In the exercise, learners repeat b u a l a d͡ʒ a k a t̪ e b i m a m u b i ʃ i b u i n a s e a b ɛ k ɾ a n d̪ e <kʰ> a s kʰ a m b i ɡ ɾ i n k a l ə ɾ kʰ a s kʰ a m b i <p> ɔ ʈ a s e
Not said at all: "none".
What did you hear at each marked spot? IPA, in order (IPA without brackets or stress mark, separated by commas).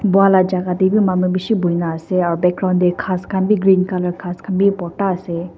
kʰ, p